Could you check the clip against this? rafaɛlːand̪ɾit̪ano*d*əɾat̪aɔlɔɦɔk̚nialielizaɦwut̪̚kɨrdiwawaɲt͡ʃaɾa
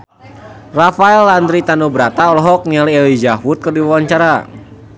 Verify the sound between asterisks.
incorrect: b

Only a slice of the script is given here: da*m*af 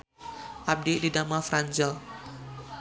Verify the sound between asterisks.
correct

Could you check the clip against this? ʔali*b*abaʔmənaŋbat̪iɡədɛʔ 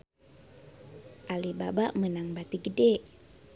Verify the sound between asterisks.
correct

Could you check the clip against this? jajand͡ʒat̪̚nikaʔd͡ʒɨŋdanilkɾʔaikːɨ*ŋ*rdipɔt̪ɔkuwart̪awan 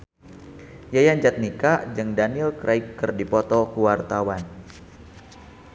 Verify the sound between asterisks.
incorrect: none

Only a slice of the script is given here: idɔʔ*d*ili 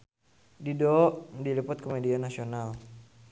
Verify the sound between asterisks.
correct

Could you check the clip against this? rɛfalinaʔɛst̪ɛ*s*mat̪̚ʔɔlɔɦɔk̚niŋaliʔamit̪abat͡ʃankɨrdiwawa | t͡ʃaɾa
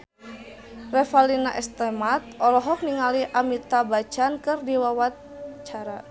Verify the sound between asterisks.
incorrect: none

